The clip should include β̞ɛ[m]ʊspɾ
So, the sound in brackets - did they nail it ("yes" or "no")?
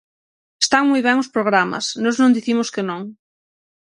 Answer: no